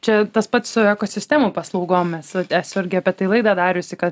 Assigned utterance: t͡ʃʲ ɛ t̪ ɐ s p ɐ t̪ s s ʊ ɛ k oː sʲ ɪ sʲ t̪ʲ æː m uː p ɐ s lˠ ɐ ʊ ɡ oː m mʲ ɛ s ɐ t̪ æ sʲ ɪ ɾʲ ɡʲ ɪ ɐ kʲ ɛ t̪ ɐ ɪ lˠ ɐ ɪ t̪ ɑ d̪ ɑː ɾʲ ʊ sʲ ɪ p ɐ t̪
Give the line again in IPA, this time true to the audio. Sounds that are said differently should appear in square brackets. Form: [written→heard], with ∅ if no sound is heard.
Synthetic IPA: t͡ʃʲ ɛ t̪ ɐ s p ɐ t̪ s s ʊ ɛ k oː sʲ ɪ sʲ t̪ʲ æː m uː p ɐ s lˠ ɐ ʊ ɡ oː m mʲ ɛ s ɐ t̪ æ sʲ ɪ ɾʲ ɡʲ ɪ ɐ [kʲ→pʲ] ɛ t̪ ɐ ɪ lˠ ɐ ɪ [t̪→d̪] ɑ d̪ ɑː ɾʲ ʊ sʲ ɪ [p→k] ɐ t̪